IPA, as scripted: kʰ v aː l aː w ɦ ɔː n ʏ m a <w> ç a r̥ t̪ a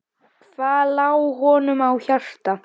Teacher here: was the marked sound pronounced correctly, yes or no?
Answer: yes